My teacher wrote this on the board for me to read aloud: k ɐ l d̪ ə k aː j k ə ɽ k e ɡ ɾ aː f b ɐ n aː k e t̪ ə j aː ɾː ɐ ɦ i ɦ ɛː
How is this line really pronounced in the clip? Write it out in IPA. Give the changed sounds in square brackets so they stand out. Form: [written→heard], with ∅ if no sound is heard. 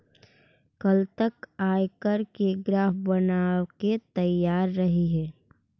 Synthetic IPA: k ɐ l [d̪→t̪] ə k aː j k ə [ɽ→ɾ] k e ɡ ɾ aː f b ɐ n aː k e t̪ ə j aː ɾː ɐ ɦ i ɦ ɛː